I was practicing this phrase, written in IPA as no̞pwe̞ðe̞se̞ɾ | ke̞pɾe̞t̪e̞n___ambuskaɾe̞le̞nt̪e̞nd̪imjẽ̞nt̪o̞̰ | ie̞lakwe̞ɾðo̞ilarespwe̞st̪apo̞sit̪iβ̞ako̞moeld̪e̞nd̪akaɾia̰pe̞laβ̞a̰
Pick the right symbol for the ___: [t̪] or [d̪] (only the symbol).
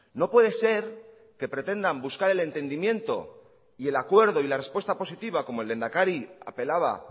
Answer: d̪